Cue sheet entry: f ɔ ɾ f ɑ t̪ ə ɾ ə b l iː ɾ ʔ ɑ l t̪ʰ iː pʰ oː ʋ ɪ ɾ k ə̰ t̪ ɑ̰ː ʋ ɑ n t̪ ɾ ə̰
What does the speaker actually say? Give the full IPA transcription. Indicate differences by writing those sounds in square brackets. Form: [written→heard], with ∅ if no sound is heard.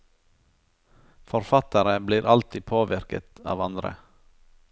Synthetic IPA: f ɔ ɾ f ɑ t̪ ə ɾ ə b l iː ɾ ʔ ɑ l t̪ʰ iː pʰ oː ʋ ɪ ɾ k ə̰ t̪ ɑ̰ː ʋ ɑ n [t̪→d̪] ɾ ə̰